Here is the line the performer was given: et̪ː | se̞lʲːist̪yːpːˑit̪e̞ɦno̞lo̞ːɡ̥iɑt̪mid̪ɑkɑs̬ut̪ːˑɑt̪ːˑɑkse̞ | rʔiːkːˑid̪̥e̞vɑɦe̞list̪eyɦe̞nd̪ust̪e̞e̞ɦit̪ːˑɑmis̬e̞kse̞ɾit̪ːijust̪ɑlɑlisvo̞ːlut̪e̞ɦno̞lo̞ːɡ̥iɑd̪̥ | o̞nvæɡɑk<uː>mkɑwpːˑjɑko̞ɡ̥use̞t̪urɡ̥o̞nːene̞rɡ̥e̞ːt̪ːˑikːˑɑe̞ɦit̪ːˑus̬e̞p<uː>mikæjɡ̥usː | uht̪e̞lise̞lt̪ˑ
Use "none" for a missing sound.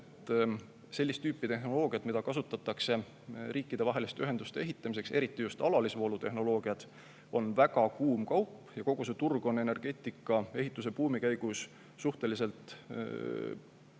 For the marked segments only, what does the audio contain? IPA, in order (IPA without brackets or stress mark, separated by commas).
uː, uː